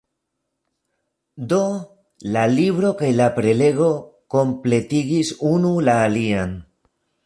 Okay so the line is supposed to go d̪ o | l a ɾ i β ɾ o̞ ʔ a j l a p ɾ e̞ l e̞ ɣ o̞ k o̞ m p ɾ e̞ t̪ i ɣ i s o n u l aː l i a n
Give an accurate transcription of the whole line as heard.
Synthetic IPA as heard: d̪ o | l a l i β ɾ o̞ k a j l a p ɾ e̞ l e̞ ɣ o̞ k o̞ m p l e̞ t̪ i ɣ i s u n u l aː l i a n